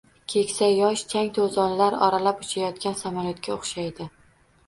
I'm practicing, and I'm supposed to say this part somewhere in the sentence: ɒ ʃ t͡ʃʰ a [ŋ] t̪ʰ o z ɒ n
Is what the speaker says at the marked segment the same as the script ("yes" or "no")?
yes